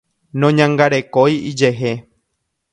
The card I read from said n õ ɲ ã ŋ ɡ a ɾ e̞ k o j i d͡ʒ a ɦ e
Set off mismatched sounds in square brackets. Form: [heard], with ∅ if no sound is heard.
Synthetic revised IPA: n õ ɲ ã ŋ ɡ a ɾ e̞ k o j i d͡ʒ [e] ɦ e